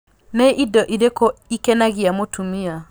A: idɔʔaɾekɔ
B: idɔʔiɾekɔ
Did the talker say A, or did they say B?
B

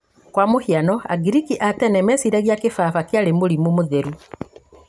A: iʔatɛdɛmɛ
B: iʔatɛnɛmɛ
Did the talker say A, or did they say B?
B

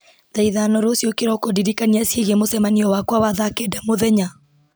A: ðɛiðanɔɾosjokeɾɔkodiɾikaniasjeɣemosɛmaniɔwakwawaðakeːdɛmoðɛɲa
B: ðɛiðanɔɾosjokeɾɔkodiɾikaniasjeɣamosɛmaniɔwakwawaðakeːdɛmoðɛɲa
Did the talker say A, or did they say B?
A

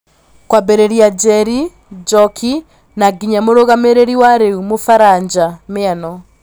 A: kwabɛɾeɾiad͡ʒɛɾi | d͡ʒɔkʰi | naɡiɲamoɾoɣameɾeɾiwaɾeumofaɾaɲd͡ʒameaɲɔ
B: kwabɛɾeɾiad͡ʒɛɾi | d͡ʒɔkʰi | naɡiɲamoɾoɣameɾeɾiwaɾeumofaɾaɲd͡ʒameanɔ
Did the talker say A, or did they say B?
B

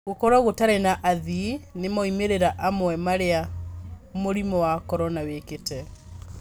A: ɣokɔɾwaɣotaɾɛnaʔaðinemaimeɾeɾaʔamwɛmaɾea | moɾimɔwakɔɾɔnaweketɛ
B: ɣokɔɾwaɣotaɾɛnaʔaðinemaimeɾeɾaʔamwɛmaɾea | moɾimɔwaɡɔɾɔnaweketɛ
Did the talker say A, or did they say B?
A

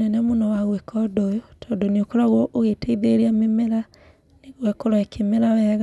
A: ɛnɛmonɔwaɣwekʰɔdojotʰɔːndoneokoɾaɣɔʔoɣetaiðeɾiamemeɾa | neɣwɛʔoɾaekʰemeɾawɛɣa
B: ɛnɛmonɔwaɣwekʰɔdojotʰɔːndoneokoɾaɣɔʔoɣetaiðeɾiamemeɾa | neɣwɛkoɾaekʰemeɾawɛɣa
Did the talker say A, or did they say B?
B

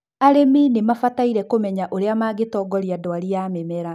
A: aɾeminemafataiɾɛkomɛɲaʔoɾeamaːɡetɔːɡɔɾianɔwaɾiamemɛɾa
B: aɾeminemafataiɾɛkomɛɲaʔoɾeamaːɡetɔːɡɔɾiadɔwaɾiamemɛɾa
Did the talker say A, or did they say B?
B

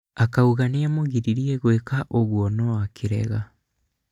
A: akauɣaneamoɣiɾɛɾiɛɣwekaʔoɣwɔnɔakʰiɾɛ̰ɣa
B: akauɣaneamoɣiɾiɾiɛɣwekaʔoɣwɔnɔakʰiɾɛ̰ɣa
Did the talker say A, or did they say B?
B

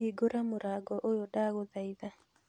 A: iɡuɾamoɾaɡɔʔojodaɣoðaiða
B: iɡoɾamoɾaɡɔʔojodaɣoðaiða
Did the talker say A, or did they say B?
B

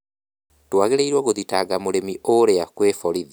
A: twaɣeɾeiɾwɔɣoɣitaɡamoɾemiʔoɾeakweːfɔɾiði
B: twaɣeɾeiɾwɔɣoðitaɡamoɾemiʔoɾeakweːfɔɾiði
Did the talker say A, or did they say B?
B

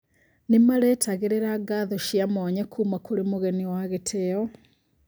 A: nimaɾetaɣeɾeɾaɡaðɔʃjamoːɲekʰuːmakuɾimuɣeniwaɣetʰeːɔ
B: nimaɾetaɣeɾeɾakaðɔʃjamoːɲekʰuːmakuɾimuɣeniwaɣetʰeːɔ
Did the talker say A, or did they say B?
A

